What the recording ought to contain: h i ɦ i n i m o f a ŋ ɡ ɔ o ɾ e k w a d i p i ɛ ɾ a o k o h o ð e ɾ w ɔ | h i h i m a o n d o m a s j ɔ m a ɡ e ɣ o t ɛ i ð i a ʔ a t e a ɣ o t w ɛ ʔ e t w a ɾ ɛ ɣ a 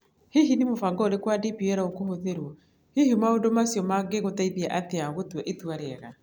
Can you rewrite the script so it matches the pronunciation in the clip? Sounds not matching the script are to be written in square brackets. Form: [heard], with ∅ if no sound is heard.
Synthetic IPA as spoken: h i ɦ i n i m o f a ŋ ɡ ɔ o ɾ e k w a d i p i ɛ ɾ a o k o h o ð e ɾ w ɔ | h i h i m a o n d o m a s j ɔ m a ɡ e ɣ o t [a] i ð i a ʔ a t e a ɣ o t w ɛ ʔ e t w a ɾ ɛ ɣ a